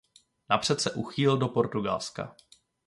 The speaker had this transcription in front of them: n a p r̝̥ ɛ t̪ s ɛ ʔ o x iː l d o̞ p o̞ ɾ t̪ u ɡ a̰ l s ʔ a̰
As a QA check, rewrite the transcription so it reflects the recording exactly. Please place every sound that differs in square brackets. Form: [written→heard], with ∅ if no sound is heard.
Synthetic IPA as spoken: n a p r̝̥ ɛ t̪ s ɛ ʔ [o→u] x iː l d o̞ p o̞ ɾ t̪ u ɡ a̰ l s [ʔ→k] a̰